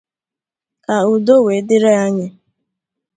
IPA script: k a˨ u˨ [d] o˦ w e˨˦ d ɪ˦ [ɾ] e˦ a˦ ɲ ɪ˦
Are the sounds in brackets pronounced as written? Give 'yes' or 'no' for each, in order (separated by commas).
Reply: yes, yes